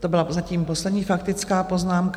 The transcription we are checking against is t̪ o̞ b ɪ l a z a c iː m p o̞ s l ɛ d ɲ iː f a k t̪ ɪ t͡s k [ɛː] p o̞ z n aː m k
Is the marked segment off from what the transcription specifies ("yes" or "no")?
yes